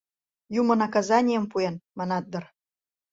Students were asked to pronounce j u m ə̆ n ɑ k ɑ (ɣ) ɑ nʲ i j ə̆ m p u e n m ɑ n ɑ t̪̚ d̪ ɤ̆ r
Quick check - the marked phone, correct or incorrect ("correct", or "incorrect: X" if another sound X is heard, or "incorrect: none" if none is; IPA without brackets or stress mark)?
incorrect: z